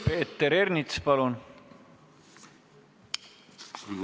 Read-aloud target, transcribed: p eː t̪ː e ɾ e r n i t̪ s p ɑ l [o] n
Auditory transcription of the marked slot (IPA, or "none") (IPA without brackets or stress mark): u